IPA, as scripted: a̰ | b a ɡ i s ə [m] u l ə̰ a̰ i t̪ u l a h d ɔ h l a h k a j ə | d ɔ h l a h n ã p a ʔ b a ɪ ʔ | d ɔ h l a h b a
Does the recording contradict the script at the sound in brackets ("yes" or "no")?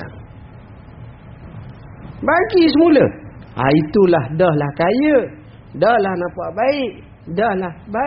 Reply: no